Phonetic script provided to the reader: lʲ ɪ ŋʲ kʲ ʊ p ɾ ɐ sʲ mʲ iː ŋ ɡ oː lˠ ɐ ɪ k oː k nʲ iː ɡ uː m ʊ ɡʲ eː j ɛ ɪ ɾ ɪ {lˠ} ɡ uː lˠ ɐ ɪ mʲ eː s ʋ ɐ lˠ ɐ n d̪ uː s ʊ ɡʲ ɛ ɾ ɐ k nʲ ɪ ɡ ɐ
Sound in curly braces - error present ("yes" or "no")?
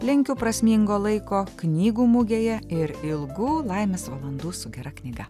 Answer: no